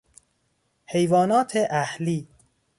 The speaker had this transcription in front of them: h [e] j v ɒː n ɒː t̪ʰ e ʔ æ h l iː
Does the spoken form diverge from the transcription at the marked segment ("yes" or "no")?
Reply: no